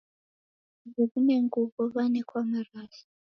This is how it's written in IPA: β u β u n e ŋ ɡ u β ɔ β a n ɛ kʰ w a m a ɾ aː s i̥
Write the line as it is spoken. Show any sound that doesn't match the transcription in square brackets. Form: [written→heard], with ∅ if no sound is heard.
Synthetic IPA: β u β u n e ŋ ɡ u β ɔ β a n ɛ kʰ w a m a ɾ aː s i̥